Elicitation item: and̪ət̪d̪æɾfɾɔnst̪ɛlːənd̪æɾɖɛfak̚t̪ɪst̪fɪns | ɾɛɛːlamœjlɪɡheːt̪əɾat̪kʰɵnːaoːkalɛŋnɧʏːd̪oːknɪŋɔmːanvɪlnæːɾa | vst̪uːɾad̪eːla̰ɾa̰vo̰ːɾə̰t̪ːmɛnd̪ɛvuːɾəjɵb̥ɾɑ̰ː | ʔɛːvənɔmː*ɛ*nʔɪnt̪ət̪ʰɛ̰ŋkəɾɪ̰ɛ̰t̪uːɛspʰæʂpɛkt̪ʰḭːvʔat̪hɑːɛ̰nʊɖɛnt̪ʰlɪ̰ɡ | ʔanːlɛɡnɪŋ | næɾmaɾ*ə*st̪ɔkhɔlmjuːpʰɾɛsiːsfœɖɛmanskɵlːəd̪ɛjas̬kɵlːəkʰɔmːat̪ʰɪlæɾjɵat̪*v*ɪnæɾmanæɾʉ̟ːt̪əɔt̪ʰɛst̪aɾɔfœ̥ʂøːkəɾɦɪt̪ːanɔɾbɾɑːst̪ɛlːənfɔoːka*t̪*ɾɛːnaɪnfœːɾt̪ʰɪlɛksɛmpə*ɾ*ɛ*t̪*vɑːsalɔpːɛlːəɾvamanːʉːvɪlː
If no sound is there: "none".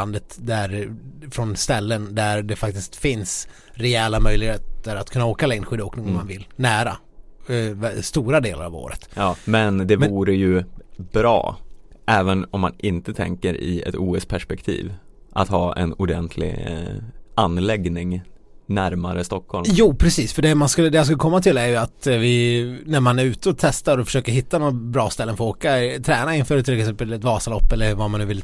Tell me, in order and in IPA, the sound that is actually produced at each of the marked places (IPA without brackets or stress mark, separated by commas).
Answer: a, ə, v, t̪ʰ, l, t̪